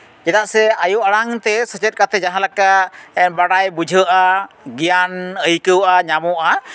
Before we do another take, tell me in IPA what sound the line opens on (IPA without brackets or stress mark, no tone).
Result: d͡ʒ